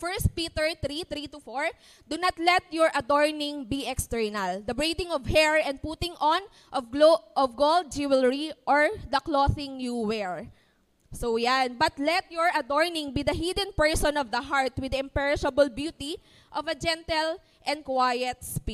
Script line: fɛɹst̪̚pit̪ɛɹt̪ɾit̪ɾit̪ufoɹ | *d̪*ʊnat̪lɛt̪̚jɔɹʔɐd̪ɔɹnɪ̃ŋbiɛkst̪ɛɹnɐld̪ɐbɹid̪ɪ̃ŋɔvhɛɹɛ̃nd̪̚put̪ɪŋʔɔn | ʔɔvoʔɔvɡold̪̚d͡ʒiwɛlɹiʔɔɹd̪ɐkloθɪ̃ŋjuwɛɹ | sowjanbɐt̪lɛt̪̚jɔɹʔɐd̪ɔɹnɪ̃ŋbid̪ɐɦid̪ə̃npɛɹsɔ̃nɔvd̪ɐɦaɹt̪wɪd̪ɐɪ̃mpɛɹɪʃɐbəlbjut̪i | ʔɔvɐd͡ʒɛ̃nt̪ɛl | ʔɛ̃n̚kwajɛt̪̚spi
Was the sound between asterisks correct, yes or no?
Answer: yes